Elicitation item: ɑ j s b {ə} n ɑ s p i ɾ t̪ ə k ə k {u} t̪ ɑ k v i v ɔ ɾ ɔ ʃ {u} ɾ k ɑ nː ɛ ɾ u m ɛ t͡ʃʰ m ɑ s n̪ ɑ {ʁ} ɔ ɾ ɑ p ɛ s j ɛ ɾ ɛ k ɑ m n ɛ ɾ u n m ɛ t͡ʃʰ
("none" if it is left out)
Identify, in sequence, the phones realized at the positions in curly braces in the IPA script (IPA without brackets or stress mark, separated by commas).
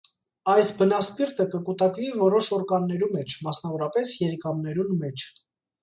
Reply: ə, u, ɔ, v